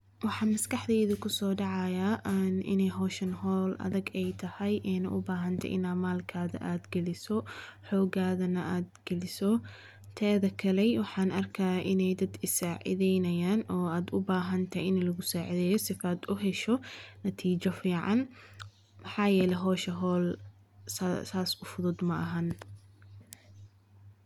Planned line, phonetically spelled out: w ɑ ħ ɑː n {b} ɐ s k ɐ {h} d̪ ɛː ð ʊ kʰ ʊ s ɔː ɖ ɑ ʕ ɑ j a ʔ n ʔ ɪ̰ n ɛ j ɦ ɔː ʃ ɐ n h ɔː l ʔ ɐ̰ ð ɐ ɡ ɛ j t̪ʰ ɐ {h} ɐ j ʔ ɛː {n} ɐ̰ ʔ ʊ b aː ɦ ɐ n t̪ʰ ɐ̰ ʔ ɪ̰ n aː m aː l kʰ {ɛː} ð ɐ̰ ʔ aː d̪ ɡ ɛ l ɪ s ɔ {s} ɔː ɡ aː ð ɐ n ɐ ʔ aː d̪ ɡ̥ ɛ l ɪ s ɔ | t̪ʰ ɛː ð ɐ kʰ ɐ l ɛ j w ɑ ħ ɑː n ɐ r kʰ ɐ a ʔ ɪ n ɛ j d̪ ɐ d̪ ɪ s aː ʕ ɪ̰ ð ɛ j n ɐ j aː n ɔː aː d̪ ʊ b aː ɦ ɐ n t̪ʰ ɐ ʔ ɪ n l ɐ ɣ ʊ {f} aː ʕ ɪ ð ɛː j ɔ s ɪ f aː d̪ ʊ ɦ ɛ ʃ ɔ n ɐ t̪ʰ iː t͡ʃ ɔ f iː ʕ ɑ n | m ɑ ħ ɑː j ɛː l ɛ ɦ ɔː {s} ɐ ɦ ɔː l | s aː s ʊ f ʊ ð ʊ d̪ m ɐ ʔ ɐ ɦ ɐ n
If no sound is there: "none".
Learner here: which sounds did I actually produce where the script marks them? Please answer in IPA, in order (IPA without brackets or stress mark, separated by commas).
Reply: m, ħ, h, n, aː, ħ, s, ʃ